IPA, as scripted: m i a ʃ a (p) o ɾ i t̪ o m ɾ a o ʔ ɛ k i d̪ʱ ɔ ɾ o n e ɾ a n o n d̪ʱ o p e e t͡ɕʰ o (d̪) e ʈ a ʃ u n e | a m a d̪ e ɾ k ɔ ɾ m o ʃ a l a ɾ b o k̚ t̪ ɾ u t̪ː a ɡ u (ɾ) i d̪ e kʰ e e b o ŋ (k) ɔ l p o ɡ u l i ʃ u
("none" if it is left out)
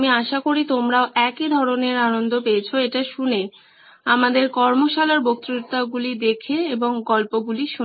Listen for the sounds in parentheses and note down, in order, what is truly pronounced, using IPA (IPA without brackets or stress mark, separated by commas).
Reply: k, none, l, ɡ